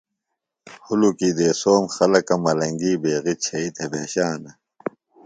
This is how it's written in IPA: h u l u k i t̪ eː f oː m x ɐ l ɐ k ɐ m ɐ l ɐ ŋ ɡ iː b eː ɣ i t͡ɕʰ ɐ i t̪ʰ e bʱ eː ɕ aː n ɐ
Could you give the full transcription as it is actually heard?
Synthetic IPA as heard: h u l u k i d̪ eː s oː m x ɐ l ɐ k ɐ m ɐ l ɐ ŋ ɡ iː b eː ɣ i t͡ɕʰ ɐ i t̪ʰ e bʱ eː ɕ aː n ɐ